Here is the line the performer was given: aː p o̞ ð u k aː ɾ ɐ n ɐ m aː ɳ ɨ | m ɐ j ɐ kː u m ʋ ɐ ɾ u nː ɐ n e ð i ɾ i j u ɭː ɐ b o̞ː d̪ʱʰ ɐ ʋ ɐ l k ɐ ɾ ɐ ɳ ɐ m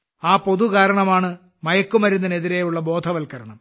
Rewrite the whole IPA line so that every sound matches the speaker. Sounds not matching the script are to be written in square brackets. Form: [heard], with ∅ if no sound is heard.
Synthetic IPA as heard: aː p o̞ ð u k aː ɾ ɐ [ɳ] ɐ m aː ɳ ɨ | m ɐ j ɐ kː u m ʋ ɐ ɾ u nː ɐ n e ð i ɾ [e] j u ɭː ɐ b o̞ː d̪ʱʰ ɐ ʋ ɐ l k ɐ ɾ ɐ ɳ ɐ m